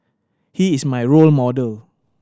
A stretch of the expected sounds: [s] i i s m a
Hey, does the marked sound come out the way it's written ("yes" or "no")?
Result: no